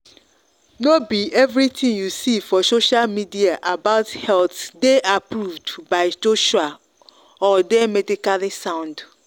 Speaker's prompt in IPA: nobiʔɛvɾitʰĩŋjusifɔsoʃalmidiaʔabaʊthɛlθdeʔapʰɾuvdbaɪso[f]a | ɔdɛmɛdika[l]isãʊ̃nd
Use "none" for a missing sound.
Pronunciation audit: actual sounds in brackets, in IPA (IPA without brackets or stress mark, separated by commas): ʃ, l